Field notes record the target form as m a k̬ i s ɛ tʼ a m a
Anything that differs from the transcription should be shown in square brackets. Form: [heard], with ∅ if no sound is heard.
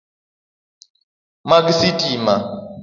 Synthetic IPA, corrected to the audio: m a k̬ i s [i] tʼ [i] m a